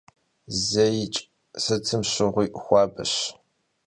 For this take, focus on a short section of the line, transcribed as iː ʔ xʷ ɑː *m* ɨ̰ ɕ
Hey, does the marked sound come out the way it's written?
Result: no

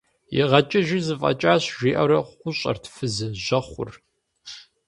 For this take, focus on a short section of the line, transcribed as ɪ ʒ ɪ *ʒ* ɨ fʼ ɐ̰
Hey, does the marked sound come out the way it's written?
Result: no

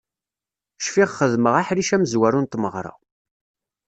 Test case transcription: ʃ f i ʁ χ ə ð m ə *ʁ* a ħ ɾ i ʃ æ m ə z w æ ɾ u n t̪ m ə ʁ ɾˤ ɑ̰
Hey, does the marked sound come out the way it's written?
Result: yes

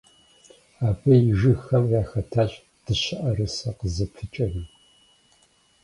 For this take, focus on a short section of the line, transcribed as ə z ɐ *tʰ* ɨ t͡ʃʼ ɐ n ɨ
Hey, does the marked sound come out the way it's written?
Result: no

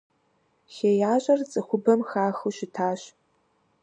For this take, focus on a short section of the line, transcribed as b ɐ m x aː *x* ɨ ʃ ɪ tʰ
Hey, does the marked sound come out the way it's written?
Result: yes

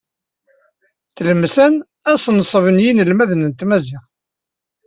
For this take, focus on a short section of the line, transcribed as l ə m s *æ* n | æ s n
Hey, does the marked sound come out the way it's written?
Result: yes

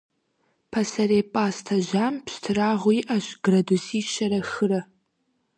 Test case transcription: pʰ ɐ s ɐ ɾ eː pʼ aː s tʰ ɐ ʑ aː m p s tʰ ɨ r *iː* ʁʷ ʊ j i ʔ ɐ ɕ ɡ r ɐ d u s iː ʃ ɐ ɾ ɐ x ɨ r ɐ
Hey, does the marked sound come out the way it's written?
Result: no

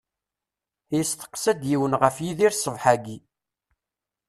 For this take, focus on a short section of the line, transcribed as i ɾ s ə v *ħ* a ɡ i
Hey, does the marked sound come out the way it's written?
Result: yes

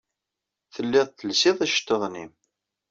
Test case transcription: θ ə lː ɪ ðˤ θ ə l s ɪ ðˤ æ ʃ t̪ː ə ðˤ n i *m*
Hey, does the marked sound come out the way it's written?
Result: yes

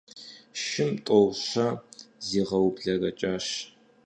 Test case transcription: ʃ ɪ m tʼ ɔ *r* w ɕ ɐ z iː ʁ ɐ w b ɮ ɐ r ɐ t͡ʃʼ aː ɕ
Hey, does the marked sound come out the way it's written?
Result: no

